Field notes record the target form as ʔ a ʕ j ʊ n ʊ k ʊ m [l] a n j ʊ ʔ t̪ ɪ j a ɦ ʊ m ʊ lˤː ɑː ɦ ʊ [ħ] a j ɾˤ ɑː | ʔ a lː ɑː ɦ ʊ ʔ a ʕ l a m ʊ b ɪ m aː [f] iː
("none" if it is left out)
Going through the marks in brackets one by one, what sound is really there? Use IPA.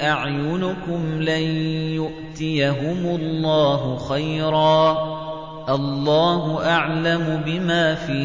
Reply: l, x, f

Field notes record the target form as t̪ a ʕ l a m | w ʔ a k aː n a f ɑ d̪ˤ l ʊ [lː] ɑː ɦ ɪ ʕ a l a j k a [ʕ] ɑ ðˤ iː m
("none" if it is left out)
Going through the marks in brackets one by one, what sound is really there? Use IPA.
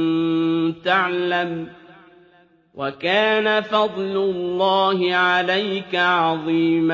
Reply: lː, ʕ

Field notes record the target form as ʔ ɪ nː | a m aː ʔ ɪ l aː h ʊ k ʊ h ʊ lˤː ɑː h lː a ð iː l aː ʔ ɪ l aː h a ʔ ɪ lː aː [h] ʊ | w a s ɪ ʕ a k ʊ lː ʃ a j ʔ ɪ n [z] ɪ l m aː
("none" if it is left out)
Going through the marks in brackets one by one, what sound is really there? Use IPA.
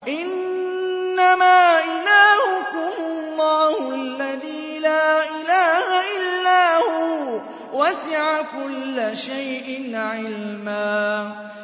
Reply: h, ʕ

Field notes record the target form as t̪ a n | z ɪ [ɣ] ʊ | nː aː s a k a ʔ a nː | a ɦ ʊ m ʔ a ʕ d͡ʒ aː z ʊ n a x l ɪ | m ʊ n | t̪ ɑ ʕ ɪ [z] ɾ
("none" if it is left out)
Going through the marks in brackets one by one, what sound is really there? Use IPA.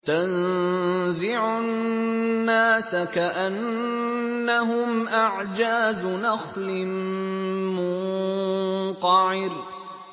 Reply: ʕ, none

